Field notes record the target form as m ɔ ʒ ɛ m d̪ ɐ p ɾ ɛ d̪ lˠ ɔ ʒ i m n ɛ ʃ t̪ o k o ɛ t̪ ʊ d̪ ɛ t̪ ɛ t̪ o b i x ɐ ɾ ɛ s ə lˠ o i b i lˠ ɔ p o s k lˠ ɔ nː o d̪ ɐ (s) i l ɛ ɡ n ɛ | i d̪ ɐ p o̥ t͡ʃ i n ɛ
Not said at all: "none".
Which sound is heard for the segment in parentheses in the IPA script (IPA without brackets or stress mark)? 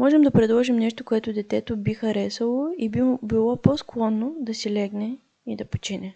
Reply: s